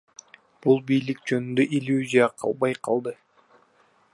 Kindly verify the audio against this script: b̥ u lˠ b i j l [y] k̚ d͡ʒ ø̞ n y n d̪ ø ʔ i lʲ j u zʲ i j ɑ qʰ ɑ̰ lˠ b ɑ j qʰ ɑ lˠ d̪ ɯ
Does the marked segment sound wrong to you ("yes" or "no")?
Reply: yes